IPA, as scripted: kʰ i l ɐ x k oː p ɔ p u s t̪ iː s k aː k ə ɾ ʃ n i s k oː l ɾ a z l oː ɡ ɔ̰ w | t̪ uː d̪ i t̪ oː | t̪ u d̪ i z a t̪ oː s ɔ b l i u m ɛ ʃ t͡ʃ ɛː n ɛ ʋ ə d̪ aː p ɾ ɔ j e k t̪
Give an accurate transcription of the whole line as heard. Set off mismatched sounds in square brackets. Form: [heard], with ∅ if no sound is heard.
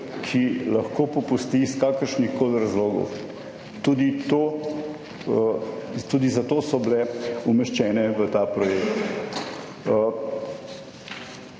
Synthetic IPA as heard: kʰ i l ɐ x k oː p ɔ p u s t̪ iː s k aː k ə ɾ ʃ n i [x] k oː l ɾ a z l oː ɡ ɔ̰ w | t̪ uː d̪ i t̪ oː | t̪ u d̪ i z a t̪ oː s ɔ b l [ɛ] u m ɛ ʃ t͡ʃ ɛː n ɛ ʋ ə [t̪] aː p ɾ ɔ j e k t̪